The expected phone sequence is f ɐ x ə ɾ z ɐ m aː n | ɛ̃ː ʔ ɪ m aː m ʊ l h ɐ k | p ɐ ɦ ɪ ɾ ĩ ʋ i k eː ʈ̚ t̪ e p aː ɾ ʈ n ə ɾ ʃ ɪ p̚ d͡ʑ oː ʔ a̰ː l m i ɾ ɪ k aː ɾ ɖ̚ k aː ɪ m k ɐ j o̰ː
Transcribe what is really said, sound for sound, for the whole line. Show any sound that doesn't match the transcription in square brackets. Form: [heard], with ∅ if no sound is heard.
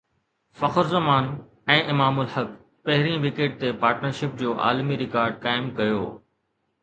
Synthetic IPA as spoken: f ɐ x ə ɾ z ɐ m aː n | ɛ̃ː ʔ ɪ m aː m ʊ l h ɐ k | p ɐ ɦ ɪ ɾ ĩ ʋ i k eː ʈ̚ t̪ e p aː ɾ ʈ n ə ɾ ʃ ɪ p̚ d͡ʑ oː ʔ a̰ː l m i ɾ ɪ k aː ɾ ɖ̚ k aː ɪ m k ɐ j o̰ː